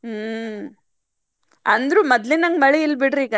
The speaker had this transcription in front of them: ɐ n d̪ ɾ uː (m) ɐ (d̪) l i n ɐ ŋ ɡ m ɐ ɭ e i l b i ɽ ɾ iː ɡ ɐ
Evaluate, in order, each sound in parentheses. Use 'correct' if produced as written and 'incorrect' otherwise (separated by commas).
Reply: correct, correct